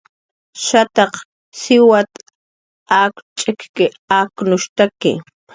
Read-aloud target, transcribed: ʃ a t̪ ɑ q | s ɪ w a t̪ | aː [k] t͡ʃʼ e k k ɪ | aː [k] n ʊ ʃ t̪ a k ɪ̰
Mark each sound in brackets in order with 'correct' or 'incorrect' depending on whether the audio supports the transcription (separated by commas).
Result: correct, correct